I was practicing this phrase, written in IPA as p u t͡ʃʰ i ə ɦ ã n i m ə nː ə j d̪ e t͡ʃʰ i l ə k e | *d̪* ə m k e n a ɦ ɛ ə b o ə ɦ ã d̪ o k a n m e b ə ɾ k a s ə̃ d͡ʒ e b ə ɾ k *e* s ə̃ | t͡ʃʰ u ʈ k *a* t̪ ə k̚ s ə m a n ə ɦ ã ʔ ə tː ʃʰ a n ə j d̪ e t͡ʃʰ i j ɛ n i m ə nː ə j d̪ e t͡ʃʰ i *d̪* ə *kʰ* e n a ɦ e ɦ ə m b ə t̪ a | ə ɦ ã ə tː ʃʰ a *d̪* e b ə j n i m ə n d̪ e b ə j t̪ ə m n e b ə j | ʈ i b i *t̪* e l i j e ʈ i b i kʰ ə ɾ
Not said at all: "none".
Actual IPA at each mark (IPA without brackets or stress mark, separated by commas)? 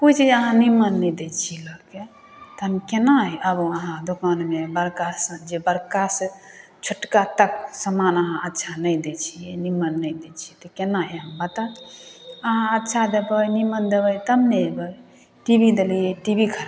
t̪, a, a, t̪, k, d̪, d̪